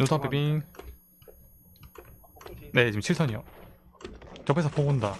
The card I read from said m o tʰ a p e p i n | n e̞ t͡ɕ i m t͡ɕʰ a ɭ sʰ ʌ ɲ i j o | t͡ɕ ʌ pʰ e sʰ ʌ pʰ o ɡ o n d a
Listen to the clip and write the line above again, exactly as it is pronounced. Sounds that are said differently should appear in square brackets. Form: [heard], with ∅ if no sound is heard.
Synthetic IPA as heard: [n] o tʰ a p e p i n | n e̞ t͡ɕ i m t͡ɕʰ [i] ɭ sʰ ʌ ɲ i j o | t͡ɕ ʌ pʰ e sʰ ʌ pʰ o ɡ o n d a